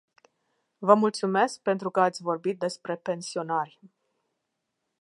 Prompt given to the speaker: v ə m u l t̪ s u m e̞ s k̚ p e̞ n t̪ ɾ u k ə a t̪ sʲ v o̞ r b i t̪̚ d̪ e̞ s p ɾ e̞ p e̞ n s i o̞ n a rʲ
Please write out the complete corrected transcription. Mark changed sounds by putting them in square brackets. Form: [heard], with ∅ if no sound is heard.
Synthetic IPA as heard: v ə m u l t̪ s u m e̞ s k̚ p e̞ n t̪ ɾ u k ə a t̪ sʲ v o̞ r b i t̪̚ d̪ e̞ s p ɾ e̞ p e̞ n s i o̞ n a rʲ